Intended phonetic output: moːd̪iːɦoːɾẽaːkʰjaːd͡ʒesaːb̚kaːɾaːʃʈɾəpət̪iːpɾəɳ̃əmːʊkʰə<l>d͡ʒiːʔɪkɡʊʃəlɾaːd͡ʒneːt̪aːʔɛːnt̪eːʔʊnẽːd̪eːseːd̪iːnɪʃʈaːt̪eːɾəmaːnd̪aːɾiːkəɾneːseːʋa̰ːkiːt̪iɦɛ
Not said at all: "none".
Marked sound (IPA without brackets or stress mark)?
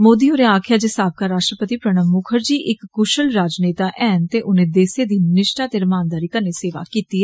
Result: ɾ